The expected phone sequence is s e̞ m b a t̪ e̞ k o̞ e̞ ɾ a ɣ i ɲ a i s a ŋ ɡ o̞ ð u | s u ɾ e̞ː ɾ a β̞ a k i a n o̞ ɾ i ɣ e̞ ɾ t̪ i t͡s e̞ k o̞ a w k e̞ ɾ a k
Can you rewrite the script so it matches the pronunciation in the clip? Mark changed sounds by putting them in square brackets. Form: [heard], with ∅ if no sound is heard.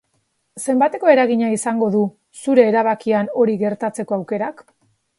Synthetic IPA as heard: s e̞ m b a t̪ e̞ k o̞ e̞ ɾ a ɣ i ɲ a i s a ŋ ɡ o̞ ð u | s u ɾ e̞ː ɾ a β̞ a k i a n o̞ ɾ i ɣ e̞ ɾ t̪ [a] t͡s e̞ k o̞ a w k e̞ ɾ a k